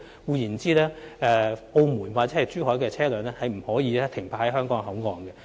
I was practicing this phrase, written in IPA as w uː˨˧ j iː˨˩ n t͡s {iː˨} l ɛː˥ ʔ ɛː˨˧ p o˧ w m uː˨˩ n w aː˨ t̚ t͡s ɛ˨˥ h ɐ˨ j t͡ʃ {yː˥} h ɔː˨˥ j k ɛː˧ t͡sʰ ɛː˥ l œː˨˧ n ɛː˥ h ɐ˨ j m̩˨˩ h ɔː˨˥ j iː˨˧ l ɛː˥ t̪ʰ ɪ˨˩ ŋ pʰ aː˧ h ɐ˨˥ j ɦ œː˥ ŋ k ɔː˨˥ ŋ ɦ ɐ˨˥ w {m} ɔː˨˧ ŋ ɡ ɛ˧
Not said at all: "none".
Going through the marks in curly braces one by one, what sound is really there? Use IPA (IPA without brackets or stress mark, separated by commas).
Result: iː˥, yː˥, ŋ